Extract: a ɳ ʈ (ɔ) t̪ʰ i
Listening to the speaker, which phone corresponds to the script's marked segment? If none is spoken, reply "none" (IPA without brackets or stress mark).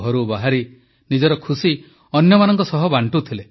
u